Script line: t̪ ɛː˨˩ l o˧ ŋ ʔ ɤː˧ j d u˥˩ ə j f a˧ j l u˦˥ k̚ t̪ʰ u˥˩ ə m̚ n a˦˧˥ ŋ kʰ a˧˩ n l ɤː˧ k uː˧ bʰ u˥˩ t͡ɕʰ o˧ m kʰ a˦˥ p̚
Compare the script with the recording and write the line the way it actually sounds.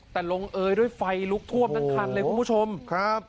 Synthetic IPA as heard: t̪ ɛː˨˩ l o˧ ŋ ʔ ɤː˧ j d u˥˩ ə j f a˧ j l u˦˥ k̚ t̪ʰ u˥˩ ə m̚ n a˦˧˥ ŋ kʰ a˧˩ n l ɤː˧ k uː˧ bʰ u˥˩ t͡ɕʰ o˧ m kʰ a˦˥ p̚